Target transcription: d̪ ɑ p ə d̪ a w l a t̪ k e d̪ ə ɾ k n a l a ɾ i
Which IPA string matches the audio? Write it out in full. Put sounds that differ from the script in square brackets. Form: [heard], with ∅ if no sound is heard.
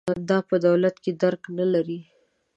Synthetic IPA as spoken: d̪ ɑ p ə d̪ a w l a t̪ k e d̪ [a] ɾ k n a l a ɾ i